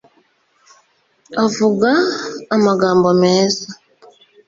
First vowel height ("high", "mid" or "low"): low